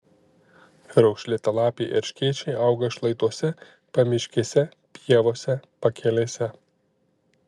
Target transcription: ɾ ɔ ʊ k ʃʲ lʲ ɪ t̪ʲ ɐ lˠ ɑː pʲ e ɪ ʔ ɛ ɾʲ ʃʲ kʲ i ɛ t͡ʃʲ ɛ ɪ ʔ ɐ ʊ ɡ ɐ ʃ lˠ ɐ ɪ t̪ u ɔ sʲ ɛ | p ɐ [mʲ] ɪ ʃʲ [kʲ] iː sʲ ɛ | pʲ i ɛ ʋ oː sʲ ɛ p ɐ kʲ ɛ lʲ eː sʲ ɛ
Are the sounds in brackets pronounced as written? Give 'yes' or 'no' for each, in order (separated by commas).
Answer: yes, yes